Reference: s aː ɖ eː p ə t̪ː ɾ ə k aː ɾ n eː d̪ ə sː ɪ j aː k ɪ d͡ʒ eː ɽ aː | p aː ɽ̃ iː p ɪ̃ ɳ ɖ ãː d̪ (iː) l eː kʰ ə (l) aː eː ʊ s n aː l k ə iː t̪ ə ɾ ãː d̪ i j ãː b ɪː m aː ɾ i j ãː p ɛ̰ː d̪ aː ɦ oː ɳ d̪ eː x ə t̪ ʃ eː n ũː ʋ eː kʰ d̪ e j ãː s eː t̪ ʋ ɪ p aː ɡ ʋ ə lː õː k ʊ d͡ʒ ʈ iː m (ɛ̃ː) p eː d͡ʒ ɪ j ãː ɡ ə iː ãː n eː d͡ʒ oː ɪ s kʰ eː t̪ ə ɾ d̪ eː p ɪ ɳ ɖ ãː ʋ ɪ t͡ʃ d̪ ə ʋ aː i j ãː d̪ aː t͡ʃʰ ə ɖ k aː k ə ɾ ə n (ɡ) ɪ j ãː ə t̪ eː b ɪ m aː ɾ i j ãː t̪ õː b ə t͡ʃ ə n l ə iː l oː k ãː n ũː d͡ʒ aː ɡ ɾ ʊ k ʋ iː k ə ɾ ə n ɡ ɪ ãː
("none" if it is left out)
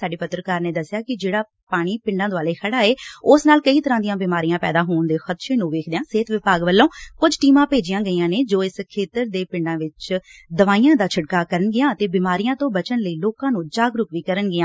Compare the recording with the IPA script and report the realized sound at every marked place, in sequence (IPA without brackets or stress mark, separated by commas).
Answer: aː, ɽ, ãː, ɡ